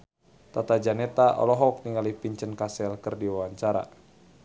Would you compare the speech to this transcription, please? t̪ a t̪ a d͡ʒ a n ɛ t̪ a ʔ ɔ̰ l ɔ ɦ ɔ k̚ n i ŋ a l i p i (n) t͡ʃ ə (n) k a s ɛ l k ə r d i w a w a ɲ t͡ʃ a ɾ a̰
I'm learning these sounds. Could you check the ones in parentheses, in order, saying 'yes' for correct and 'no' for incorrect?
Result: no, yes

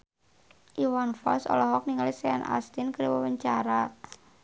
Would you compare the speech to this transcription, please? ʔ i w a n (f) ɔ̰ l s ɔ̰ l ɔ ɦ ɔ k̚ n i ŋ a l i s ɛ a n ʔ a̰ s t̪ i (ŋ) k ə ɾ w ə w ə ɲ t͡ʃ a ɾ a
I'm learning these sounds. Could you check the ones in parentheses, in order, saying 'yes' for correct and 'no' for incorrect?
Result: yes, no

